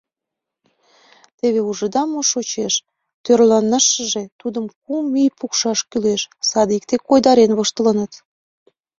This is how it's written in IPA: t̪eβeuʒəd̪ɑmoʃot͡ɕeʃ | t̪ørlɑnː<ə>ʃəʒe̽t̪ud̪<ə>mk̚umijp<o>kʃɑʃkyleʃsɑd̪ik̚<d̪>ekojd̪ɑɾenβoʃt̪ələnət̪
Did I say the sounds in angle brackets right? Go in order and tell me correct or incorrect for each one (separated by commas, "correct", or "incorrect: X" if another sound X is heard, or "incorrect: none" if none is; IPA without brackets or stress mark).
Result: correct, correct, incorrect: u, incorrect: t̪